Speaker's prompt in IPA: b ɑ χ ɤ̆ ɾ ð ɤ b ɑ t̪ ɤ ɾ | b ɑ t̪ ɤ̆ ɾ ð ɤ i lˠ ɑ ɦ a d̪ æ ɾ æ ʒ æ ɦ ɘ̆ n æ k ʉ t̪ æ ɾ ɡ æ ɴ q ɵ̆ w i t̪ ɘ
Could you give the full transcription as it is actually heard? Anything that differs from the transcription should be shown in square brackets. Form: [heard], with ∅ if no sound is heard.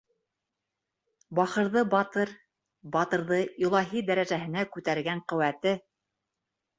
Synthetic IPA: b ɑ χ ɤ̆ ɾ ð ɤ b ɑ t̪ ɤ ɾ | b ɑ t̪ ɤ̆ ɾ ð ɤ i lˠ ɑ ɦ [i] d̪ æ ɾ æ ʒ æ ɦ ɘ̆ n æ k ʉ t̪ æ ɾ ɡ æ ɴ q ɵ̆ w [æ] t̪ ɘ